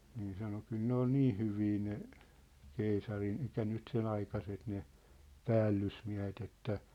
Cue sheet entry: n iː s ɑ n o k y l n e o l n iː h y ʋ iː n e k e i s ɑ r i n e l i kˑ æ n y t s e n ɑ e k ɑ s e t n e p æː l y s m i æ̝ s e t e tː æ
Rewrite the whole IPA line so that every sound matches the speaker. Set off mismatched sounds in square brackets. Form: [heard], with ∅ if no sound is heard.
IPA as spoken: n iː s ɑ n o k y l n e o l n iː h y ʋ iː n e k e i s ɑ r i n e l i kˑ æ n y t s e n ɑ [i] k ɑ s e t n e p æː [lː] y s m i æ̝ [h] e t e tː æ